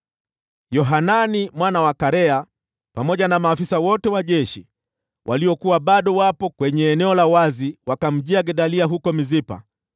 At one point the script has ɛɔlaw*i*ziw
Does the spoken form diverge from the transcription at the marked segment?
yes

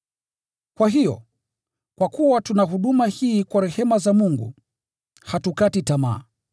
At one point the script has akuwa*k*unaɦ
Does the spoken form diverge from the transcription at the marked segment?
yes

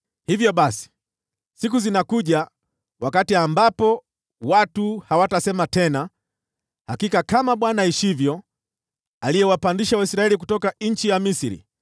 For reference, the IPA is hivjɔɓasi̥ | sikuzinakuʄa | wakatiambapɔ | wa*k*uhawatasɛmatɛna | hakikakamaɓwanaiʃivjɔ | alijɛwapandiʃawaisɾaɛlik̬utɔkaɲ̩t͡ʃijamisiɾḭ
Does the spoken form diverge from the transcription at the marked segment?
yes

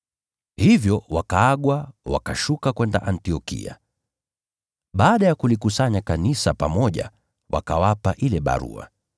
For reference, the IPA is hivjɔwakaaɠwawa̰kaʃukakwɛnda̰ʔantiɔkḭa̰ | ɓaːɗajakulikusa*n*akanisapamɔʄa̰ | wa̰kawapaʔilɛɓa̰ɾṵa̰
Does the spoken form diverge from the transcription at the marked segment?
yes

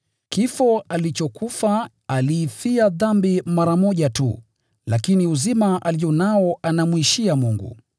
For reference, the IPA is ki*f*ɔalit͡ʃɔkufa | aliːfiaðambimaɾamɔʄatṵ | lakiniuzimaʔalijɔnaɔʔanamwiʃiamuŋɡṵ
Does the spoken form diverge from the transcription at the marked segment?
no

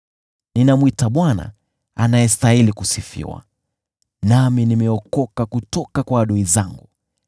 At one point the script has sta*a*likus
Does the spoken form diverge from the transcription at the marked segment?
yes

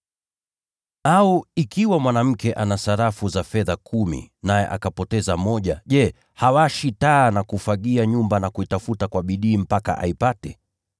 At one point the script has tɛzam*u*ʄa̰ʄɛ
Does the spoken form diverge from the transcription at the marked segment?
yes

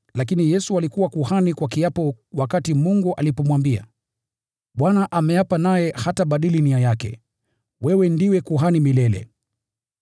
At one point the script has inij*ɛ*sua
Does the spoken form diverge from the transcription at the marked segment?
no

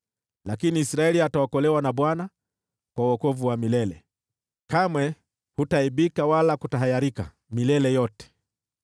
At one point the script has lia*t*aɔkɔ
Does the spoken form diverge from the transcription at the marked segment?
no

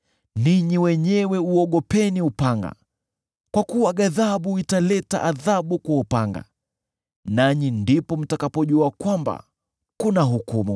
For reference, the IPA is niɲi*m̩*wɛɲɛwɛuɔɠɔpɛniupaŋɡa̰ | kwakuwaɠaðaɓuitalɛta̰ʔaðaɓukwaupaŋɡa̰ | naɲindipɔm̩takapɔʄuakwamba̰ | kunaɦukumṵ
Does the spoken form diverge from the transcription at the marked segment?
yes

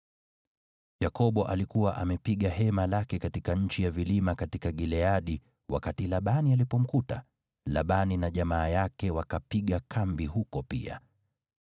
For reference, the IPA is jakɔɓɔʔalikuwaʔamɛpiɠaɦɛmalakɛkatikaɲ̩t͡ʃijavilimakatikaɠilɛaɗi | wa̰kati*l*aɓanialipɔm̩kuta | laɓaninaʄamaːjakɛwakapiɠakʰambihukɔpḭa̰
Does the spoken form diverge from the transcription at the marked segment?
no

